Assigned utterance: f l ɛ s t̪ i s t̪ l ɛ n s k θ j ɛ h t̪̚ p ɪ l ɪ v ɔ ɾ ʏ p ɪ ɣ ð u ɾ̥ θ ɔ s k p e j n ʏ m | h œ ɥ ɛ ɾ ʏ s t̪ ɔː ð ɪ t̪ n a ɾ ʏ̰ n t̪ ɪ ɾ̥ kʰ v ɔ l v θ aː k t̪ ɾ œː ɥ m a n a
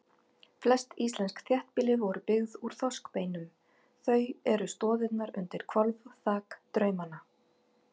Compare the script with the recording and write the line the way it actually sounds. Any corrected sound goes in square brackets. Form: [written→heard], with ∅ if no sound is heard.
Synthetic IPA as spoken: f l ɛ s t̪ i s t̪ l ɛ n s k θ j ɛ h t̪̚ p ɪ l ɪ v ɔ ɾ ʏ p ɪ ɣ ð u ɾ̥ θ ɔ s k p e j n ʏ m | [h→θ] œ ɥ ɛ ɾ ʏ s t̪ ɔː ð ɪ t̪ n a ɾ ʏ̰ n t̪ ɪ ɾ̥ kʰ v ɔ l v θ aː k t̪ ɾ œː ɥ m a n a